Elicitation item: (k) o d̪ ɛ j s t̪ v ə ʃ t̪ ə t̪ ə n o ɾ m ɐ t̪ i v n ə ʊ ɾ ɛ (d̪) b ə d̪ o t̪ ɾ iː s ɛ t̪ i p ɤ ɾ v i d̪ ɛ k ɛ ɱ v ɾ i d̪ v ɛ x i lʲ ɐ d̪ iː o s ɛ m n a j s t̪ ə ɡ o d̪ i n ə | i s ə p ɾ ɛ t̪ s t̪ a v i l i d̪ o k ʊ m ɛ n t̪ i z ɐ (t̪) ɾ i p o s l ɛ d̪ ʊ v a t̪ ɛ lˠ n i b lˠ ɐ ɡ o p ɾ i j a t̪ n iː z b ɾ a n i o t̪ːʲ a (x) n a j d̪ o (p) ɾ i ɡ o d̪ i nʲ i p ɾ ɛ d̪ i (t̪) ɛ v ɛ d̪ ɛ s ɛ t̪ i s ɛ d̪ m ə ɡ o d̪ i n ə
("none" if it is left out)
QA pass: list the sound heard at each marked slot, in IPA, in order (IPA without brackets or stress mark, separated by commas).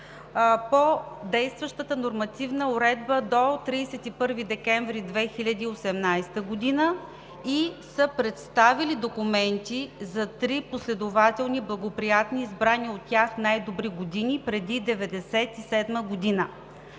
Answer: p, d̪, t̪, x, b, d̪